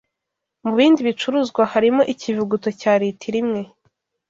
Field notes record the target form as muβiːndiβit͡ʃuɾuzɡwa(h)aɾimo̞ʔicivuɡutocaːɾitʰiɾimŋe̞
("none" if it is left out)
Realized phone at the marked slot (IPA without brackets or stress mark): h